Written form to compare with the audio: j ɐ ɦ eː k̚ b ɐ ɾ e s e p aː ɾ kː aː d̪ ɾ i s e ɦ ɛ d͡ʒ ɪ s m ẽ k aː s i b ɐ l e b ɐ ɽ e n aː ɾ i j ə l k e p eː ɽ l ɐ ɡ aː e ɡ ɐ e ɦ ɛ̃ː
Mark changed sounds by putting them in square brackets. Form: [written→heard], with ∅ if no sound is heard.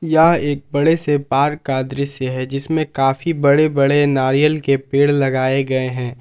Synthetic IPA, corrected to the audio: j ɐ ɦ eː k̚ b ɐ [ɾ→ɽ] e s e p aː ɾ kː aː d̪ ɾ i s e ɦ ɛ d͡ʒ ɪ s m ẽ k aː [s→f] i b ɐ [l→ɽ] e b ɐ ɽ e n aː ɾ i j ə l k e p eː ɽ l ɐ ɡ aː e ɡ ɐ e ɦ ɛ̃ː